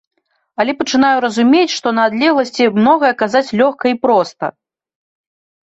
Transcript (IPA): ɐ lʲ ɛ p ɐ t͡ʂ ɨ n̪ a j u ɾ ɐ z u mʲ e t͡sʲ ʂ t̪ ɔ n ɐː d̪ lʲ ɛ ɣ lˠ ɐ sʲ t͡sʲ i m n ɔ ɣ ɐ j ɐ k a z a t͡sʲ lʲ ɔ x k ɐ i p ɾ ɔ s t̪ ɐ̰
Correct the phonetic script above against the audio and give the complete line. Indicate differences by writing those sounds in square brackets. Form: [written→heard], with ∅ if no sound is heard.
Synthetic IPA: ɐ lʲ ɛ p ɐ t͡ʂ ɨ n̪ a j u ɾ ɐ z u mʲ e t͡sʲ ʂ t̪ ɔ n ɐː d̪ lʲ ɛ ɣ lˠ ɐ sʲ t͡sʲ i m n ɔ ɣ ɐ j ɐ k a z a t͡sʲ lʲ ɔ x k ɐ i p ɾ ɔ s t̪ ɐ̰